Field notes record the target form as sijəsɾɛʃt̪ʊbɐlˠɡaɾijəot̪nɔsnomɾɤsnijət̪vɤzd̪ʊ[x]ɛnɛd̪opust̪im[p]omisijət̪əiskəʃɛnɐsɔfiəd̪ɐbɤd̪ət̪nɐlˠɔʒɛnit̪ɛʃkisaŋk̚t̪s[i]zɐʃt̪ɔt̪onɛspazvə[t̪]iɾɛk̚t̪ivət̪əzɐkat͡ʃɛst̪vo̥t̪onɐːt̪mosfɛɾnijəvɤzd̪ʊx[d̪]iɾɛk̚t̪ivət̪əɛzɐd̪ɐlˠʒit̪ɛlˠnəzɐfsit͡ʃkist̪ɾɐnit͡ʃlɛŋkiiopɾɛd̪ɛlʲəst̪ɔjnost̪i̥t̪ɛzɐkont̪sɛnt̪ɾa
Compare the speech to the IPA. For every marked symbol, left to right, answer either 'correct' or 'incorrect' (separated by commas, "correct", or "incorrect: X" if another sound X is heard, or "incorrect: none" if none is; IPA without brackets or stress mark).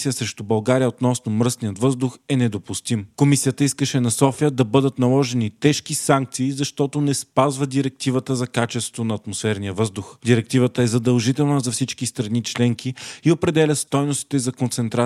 correct, incorrect: k, incorrect: iː, incorrect: d̪, correct